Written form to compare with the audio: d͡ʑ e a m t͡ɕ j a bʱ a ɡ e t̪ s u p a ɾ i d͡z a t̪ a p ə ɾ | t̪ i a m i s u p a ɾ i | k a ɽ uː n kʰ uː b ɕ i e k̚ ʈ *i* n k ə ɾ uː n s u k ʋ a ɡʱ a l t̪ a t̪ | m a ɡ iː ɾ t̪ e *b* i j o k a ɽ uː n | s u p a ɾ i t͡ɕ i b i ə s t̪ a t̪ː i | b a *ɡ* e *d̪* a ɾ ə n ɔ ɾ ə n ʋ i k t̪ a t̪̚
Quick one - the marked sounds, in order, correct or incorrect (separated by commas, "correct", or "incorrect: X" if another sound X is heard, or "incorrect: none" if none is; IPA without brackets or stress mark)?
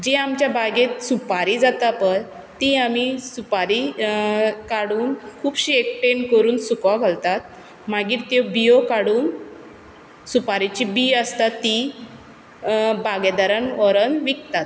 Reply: incorrect: e, correct, correct, correct